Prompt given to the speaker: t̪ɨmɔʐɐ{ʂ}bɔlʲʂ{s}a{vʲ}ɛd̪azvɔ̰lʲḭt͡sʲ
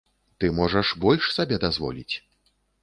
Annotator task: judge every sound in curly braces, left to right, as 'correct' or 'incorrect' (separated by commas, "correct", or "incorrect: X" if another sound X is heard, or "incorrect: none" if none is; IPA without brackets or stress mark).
correct, correct, incorrect: bʲ